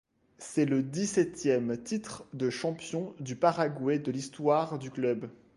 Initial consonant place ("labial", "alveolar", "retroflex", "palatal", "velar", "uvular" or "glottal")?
alveolar